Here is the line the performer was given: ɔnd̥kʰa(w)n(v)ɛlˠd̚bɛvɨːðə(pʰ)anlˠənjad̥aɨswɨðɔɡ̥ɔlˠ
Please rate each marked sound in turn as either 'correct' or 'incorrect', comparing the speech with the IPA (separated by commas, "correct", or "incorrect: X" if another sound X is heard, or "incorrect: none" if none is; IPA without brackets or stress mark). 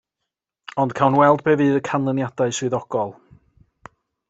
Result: correct, incorrect: w, incorrect: kʰ